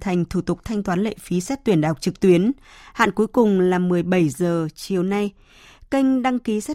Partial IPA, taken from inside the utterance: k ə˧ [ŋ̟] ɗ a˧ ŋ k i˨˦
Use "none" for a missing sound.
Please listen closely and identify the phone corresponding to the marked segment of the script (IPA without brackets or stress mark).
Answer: ŋ̟